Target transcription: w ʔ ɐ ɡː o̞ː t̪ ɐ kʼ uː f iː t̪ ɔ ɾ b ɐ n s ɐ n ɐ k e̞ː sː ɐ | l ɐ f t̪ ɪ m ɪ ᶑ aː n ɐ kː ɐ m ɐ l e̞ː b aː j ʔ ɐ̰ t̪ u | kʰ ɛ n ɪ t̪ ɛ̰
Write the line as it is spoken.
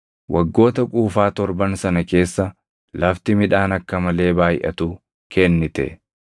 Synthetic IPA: w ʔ ɐ ɡː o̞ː t̪ ɐ kʼ uː f aː t̪ ɔ ɾ b ɐ n s ɐ n ɐ k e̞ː sː ɐ | l ɐ f t̪ ɪ m ɪ ᶑ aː n ɐ kː ɐ m ɐ l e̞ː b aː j ʔ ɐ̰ t̪ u | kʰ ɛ nː ɪ t̪ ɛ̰